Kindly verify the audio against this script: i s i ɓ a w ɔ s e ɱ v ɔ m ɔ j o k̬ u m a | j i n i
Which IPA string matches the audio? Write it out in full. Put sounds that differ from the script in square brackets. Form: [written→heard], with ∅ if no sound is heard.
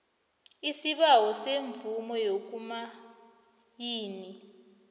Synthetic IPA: i s i ɓ a w ɔ s e ɱ v [ɔ→u] m ɔ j o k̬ u m a | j [i→iː] n i